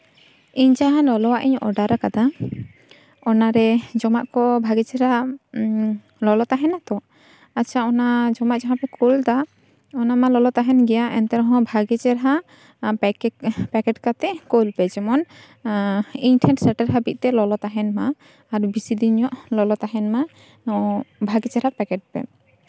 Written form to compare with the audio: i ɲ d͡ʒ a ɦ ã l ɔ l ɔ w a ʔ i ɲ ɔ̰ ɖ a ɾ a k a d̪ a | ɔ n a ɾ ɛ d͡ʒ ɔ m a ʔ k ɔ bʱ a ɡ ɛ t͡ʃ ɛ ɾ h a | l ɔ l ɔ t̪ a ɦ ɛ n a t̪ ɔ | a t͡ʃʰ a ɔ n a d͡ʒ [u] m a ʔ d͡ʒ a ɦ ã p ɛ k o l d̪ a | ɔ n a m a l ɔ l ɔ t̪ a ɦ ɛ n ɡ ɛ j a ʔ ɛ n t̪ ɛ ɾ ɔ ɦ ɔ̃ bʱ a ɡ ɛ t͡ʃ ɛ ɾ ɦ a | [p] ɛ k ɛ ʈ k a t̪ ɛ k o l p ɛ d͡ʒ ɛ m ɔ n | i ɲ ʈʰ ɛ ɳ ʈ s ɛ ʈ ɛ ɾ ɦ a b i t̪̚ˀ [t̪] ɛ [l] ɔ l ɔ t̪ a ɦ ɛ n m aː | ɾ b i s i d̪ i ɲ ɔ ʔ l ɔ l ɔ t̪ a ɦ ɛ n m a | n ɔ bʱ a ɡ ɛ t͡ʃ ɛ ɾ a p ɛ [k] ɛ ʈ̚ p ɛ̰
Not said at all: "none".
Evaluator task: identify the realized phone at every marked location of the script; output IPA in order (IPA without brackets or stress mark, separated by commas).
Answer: ɔ, p, t̪, l, k